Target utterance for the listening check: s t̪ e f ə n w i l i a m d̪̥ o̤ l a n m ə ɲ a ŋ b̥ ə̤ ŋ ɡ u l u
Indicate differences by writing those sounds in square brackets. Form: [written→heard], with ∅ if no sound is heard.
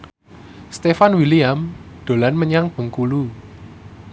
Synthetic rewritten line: s t̪ e f [ə→a] n w i l i a m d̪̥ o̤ l a n m ə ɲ a ŋ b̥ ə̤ ŋ [ɡ→k] u l u